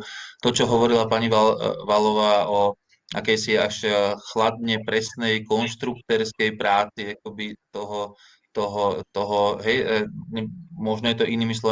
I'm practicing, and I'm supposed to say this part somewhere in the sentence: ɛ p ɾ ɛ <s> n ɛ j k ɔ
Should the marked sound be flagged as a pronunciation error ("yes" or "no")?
no